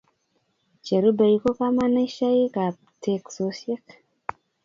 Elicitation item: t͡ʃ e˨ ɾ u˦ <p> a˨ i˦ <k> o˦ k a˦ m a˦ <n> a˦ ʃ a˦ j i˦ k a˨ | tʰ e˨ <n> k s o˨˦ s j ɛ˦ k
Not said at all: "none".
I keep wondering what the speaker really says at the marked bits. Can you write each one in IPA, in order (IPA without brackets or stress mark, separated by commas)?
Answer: b, k, n, none